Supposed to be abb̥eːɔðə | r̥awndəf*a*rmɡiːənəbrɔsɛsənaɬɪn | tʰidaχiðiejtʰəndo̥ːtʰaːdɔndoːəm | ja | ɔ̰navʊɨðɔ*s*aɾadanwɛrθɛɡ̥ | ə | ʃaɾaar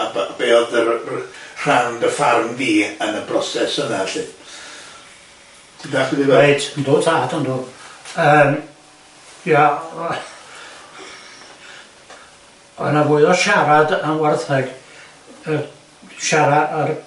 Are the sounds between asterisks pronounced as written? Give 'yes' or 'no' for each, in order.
yes, no

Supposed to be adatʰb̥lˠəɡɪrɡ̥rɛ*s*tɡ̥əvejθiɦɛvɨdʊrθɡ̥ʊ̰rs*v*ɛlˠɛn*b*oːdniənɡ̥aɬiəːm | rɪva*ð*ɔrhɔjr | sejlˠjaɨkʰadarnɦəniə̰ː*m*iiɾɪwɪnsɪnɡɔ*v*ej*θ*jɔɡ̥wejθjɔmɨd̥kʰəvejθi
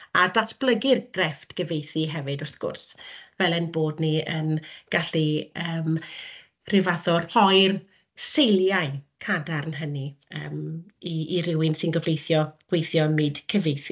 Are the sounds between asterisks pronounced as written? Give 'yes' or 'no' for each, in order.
no, yes, yes, yes, yes, yes, yes

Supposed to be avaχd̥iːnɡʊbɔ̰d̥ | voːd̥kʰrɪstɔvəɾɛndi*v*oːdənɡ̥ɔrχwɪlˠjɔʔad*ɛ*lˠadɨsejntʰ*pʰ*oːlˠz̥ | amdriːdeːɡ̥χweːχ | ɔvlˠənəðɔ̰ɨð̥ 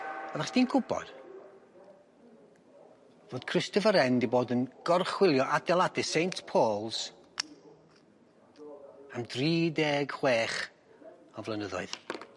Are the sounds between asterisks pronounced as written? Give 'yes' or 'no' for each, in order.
no, yes, yes

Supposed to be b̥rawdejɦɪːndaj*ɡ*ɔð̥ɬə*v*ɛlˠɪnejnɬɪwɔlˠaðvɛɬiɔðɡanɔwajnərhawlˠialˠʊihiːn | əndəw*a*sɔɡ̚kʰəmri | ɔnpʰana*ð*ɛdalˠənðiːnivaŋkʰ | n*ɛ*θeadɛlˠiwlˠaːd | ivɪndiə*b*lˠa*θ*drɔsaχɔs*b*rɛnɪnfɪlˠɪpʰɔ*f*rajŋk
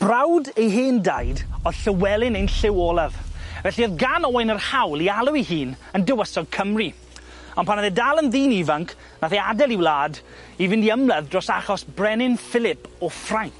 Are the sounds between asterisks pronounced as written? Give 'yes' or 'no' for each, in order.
no, no, no, yes, no, no, no, yes, yes

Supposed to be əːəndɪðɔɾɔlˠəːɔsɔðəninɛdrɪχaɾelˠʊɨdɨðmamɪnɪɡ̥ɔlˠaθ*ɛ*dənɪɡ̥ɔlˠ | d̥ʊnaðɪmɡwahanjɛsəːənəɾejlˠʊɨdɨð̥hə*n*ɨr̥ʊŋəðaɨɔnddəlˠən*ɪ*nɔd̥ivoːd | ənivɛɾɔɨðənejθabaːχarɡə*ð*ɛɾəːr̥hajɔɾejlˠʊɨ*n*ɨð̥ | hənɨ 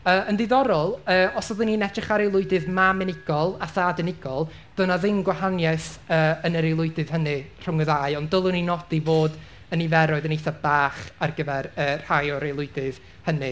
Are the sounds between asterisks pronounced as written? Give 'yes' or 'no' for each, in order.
no, yes, no, no, no

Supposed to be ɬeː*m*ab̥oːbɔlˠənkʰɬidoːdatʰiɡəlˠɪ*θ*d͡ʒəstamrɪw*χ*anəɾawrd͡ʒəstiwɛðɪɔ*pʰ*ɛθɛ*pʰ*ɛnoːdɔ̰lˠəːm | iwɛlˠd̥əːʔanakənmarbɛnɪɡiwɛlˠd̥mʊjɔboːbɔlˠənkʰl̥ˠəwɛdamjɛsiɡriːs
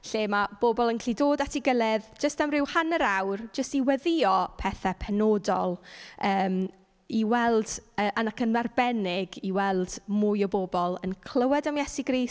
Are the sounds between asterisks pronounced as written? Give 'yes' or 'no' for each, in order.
yes, no, no, yes, yes

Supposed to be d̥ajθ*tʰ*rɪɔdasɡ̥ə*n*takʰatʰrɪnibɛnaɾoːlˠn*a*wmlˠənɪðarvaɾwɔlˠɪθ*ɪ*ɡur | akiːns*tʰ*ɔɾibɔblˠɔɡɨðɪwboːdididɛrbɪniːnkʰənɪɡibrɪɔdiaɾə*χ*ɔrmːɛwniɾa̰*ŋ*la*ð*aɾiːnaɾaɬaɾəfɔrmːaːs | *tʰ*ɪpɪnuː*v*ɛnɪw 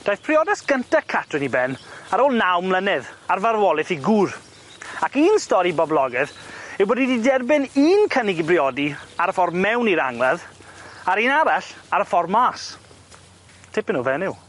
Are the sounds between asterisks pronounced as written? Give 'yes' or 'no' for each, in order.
no, yes, yes, no, no, no, yes, yes, yes, yes

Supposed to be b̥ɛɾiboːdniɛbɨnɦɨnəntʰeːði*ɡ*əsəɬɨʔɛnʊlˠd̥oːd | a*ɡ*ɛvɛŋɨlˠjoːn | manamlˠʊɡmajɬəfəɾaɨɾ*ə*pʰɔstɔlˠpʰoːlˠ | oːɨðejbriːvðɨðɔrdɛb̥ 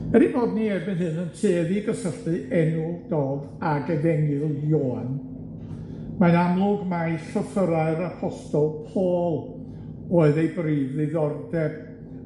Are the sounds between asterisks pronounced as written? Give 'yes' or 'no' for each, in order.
yes, yes, no

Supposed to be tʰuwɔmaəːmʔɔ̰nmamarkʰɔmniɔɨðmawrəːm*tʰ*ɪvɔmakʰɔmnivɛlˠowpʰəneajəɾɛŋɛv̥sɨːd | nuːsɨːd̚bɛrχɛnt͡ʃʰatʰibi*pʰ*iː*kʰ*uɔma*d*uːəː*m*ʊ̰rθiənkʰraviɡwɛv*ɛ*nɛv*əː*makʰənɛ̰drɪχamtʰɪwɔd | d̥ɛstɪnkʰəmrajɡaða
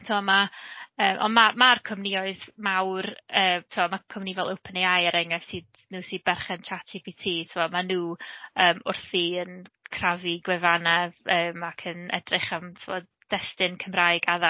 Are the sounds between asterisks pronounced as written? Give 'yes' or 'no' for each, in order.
yes, no, no, no, yes, no, yes

